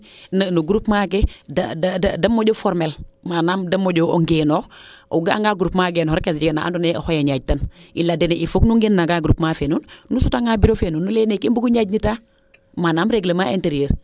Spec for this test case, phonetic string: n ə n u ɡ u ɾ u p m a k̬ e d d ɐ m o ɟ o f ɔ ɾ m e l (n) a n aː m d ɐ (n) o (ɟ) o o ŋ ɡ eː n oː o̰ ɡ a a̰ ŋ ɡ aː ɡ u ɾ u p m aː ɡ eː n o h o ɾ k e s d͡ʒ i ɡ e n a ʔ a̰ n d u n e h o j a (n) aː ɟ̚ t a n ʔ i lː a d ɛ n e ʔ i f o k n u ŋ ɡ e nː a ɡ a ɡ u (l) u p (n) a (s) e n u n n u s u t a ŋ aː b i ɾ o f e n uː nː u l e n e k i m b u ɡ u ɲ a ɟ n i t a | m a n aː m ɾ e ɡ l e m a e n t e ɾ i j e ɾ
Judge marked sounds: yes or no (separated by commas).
no, no, yes, no, no, no, no